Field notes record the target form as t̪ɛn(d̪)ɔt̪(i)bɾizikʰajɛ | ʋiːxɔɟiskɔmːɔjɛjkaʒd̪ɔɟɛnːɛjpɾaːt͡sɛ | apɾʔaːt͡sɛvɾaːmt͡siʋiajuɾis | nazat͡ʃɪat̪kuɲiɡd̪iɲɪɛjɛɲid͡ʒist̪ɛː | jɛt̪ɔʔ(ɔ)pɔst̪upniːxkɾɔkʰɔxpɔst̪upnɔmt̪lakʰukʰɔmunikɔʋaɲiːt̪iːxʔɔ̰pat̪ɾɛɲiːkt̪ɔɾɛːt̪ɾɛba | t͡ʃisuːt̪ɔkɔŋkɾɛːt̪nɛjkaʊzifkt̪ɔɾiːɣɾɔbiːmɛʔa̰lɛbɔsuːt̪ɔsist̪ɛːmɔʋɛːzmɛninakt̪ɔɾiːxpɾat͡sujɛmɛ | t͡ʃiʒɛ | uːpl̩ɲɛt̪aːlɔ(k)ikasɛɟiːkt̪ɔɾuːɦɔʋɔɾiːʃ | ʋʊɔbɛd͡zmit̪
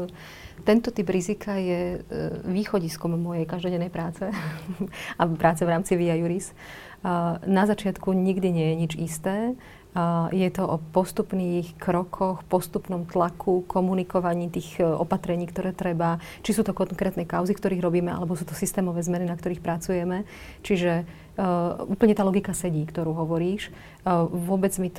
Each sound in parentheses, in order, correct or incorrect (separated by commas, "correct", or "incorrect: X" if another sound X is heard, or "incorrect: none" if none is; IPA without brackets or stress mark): incorrect: t̪, correct, correct, incorrect: ɡ